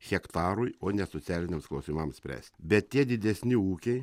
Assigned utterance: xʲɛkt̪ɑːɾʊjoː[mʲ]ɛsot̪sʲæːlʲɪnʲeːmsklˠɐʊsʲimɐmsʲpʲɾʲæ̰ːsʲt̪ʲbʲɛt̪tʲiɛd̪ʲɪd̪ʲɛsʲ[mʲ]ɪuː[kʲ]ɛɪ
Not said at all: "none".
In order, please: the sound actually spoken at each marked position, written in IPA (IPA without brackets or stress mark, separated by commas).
nʲ, nʲ, kʲ